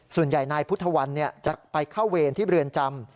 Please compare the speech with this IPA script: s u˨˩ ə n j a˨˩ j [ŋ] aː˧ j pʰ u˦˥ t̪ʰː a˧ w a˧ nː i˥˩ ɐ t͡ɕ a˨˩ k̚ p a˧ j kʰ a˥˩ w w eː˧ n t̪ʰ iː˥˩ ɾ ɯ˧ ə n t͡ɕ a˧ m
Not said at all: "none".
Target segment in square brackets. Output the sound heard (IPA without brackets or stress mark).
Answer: n